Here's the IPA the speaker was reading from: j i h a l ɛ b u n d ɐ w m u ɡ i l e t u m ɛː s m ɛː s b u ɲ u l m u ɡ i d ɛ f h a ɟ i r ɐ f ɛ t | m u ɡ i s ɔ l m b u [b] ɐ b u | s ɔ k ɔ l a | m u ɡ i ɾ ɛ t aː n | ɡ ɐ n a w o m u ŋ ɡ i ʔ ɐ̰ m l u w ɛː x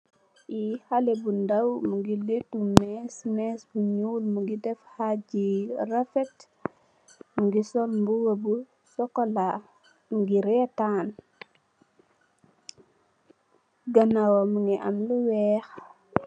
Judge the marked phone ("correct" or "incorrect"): incorrect